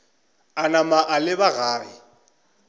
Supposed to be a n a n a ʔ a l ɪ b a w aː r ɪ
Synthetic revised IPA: a n a m a ʔ a l ɪ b a ɣ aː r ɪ